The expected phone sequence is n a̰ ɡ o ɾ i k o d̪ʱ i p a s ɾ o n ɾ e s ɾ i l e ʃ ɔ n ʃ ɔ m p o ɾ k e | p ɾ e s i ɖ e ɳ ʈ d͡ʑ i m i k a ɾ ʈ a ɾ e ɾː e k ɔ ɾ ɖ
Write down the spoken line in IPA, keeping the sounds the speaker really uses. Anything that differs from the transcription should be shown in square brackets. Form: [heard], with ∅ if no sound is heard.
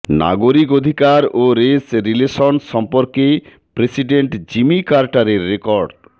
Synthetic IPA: n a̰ ɡ o ɾ i k o d̪ʱ i [k] a [∅] ɾ o [∅] ɾ e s ɾ i l e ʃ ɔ n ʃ ɔ m p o ɾ k e | p ɾ e s i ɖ e ɳ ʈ d͡ʑ i m i k a ɾ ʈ a ɾ e ɾː e k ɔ ɾ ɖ